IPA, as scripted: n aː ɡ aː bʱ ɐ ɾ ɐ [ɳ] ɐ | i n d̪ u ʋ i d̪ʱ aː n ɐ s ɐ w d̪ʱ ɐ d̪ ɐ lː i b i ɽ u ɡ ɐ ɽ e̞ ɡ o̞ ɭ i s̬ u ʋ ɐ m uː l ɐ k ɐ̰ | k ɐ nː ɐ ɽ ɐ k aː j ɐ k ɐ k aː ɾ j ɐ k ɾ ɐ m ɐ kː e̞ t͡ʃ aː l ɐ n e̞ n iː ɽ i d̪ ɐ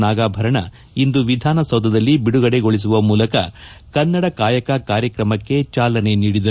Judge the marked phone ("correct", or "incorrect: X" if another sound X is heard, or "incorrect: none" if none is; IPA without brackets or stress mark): correct